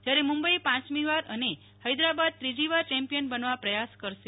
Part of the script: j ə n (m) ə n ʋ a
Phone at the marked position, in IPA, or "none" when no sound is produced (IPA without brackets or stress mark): b